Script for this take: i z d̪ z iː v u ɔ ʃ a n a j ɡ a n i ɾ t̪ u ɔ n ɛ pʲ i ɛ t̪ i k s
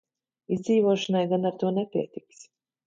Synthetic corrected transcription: i z d̪ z iː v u ɔ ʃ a n a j ɡ a n a ɾ t̪ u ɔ n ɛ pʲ i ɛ t̪ i k s